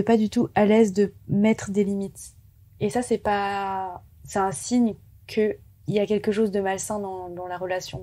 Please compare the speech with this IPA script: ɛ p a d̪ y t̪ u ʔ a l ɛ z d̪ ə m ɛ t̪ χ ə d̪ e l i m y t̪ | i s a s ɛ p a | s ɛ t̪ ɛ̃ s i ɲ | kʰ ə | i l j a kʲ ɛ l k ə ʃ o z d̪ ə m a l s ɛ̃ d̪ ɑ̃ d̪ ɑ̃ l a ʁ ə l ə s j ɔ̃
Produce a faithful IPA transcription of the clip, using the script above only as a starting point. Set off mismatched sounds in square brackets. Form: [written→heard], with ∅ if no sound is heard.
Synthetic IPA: ɛ p a d̪ y t̪ u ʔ a l ɛ z d̪ ə m ɛ t̪ χ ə d̪ e l i m [y→i] t̪ | [i→e] s a s ɛ p a | s ɛ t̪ ɛ̃ s i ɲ | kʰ ə | i l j a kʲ ɛ l k ə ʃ o z d̪ ə m a l s ɛ̃ d̪ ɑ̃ d̪ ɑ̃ l a ʁ ə l [ə→a] s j ɔ̃